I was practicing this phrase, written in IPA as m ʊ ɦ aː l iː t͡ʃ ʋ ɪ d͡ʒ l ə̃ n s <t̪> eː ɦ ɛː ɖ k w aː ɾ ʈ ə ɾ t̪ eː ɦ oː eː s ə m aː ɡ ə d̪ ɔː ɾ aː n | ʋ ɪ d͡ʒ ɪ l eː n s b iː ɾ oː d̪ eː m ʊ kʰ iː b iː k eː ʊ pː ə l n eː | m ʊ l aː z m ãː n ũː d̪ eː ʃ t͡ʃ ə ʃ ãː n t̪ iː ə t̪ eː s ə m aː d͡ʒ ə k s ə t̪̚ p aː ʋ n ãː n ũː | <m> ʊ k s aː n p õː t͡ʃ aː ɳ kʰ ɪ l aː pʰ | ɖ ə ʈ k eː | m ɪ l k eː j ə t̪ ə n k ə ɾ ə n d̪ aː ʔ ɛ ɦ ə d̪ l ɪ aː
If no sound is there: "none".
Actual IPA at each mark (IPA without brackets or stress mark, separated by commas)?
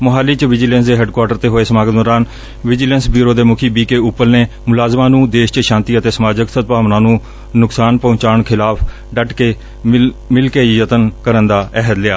d̪, n